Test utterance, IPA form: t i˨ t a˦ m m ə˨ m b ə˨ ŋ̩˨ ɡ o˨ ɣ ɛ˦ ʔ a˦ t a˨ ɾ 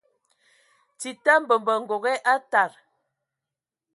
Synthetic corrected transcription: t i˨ t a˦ m b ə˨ m b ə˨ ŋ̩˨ ɡ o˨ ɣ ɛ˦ ʔ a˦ t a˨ ɾ